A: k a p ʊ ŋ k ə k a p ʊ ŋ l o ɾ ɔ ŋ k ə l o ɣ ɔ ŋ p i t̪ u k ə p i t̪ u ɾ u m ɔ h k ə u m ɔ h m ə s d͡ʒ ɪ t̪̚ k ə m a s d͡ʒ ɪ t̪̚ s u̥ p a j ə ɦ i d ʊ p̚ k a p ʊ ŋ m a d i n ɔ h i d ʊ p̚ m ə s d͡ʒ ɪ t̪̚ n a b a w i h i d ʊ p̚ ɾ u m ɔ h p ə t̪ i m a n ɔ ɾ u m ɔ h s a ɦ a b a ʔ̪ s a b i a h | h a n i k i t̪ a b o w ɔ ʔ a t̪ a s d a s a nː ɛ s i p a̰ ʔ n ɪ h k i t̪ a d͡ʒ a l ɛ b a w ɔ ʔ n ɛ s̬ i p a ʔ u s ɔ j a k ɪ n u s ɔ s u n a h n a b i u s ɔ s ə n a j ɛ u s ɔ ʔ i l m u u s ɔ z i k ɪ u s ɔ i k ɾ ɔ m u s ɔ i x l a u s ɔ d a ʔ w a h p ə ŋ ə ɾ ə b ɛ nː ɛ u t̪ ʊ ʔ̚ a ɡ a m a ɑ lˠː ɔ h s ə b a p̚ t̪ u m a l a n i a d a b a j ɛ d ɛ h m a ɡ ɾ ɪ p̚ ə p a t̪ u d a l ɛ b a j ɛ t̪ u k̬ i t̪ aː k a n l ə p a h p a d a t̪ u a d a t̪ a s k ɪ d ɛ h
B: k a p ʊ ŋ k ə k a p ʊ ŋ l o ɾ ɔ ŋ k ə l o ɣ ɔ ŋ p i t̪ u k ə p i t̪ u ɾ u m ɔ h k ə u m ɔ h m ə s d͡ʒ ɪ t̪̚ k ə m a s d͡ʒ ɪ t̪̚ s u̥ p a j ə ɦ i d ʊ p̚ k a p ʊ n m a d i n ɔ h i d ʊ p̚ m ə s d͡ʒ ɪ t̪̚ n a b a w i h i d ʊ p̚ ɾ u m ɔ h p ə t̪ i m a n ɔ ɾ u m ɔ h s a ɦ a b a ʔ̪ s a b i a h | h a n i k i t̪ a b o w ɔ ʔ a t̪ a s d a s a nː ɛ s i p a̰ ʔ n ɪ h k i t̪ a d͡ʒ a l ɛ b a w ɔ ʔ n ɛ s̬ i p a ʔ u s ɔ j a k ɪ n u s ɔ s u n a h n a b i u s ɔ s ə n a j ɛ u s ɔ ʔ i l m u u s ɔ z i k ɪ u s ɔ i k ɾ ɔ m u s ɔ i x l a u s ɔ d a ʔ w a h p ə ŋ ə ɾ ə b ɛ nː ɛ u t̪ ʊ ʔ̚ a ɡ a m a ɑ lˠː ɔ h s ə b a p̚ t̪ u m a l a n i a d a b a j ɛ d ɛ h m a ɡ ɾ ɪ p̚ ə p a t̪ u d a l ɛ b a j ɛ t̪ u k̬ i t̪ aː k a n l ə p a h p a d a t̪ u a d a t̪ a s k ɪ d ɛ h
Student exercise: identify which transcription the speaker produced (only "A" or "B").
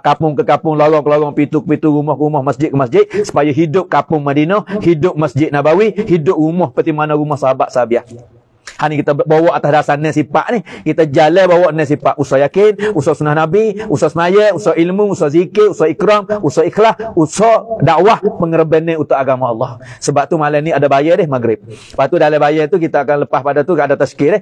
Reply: A